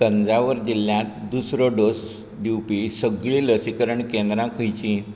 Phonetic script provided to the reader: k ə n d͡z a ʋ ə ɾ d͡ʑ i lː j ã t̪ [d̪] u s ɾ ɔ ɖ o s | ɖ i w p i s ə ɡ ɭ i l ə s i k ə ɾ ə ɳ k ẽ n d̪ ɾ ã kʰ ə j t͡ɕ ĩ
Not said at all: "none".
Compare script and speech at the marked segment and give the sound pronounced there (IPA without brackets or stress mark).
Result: d̪